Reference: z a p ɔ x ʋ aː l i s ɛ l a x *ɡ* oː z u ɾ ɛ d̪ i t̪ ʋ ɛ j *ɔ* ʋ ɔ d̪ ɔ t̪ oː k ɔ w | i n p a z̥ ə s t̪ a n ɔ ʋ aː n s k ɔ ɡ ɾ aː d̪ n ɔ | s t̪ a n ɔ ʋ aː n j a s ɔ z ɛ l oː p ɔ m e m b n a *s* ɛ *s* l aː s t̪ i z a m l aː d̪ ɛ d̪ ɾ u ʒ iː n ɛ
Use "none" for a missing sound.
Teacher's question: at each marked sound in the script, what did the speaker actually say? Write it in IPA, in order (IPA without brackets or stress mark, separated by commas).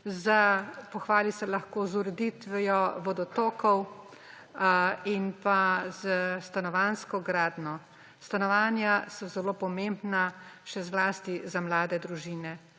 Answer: k, ɔ, ʃ, z